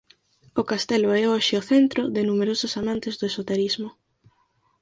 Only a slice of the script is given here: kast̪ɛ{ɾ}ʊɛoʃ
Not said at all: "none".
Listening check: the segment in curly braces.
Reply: l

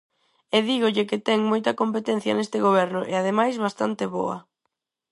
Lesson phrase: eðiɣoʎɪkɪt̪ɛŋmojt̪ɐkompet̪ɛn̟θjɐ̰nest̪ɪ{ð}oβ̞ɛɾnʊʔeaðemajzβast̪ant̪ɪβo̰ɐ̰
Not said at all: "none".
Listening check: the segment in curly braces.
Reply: ɣ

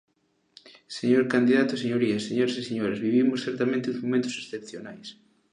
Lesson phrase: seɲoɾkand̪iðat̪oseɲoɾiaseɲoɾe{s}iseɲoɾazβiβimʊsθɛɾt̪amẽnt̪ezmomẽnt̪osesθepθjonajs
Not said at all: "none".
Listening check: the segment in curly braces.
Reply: s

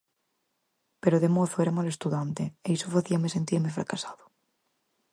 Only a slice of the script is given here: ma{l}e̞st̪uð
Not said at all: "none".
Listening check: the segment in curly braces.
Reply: l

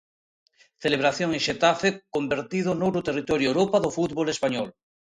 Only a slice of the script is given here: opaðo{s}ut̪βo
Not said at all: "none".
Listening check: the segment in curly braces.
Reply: f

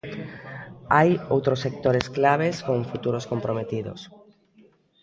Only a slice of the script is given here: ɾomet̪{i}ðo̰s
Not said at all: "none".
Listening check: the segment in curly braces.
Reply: i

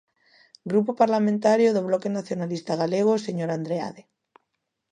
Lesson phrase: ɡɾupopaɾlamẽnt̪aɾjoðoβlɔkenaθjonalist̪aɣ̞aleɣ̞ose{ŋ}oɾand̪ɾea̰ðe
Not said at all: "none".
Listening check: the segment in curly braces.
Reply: ɲ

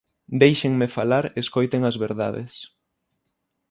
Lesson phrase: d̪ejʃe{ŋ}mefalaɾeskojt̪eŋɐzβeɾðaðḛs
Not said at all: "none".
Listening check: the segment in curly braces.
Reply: ŋ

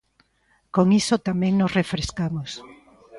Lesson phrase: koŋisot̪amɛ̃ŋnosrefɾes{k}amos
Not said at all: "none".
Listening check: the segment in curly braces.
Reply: k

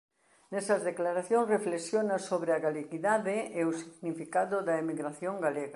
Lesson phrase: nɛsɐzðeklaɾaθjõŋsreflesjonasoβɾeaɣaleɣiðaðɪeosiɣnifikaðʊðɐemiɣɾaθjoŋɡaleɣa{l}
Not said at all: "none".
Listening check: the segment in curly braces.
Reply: none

